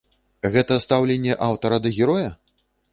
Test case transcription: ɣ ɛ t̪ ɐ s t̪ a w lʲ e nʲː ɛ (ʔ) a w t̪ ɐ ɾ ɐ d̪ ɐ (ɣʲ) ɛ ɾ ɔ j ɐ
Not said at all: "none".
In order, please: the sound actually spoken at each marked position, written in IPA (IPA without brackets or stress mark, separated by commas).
ʔ, ɣʲ